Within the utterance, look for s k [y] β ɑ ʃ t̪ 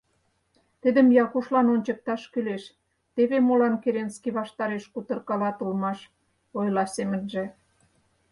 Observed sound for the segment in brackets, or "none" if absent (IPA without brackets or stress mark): i